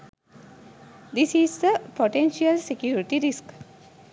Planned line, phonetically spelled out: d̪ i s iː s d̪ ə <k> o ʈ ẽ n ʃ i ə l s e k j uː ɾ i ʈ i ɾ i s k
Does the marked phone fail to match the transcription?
yes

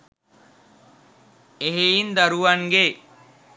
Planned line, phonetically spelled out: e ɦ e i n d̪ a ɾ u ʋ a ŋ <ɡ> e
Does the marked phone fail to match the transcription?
no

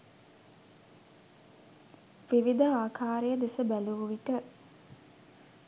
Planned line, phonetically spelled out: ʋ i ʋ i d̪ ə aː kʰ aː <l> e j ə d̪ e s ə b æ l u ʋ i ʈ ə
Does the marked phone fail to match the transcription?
yes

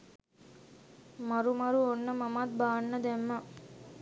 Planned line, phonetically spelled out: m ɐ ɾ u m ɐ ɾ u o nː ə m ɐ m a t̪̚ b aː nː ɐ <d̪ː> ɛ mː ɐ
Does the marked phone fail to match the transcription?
yes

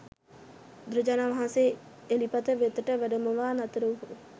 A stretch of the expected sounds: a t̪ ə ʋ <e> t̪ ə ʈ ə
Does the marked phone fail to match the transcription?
no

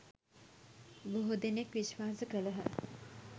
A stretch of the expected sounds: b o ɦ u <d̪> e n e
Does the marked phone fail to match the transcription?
no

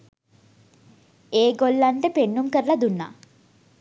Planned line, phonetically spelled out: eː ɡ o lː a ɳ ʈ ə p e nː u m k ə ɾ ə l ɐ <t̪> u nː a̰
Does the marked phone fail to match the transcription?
yes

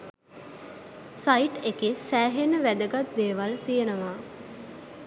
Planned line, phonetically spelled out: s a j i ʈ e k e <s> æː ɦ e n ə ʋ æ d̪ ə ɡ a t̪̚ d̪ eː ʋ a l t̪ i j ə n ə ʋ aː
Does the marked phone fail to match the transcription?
no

